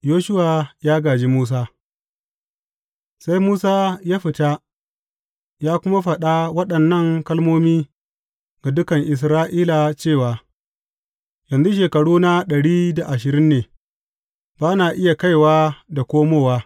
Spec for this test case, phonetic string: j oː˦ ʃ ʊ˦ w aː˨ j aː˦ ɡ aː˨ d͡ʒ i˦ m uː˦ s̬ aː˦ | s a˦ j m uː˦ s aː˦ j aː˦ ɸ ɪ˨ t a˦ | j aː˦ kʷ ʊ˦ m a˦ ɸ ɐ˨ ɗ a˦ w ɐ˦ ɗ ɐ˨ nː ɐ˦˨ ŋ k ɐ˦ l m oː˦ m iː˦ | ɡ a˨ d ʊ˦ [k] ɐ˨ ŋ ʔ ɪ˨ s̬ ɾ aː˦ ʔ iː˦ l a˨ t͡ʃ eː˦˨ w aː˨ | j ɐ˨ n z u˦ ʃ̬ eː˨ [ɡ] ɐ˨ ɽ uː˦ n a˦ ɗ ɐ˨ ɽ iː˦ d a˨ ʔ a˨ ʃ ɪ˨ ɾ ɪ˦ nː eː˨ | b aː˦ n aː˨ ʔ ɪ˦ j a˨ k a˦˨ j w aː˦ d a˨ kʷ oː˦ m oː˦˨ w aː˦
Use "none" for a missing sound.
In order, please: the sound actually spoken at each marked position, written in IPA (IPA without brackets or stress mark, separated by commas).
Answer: k, k